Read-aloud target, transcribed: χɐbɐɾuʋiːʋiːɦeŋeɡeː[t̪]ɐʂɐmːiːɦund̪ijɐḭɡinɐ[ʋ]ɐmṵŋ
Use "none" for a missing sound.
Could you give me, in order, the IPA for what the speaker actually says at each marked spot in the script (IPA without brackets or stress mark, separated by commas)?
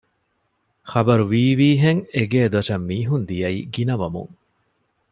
d̪, ʋ